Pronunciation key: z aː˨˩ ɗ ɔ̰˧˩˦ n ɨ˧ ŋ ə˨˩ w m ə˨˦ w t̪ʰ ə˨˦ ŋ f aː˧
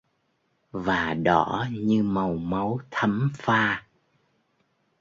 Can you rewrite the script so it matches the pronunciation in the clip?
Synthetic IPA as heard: v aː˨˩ ɗ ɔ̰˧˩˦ ɲ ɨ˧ m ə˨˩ w m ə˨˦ w t̪ʰ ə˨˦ m f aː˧